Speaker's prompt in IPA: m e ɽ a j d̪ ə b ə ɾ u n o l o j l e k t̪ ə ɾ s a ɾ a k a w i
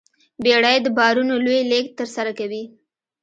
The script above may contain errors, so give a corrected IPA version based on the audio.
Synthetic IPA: b e ɽ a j d̪ ə b ɑ ɾ u n o l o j l e k t̪ ə ɾ s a ɾ a k a w i